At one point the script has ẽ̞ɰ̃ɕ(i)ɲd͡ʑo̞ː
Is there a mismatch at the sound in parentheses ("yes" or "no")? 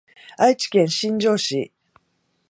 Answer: yes